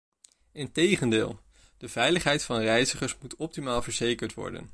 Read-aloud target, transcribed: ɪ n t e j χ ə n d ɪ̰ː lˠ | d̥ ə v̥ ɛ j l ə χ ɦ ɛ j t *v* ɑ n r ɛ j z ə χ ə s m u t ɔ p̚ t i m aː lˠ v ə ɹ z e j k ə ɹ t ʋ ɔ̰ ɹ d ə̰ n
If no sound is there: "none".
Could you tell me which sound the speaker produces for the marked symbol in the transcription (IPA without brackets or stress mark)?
f